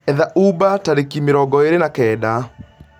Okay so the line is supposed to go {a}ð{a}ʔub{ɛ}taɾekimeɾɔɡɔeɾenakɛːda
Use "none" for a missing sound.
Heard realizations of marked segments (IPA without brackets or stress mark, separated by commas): ɛ, a, a